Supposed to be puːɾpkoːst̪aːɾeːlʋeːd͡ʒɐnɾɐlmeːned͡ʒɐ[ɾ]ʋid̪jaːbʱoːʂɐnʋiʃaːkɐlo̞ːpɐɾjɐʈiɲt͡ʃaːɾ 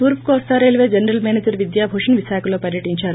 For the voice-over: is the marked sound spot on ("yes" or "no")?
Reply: yes